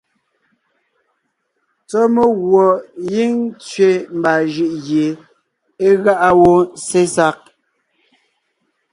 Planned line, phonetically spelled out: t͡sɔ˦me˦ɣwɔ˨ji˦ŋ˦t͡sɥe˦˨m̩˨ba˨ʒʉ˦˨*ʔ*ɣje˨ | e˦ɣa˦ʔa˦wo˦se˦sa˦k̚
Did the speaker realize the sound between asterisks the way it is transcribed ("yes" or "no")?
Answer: yes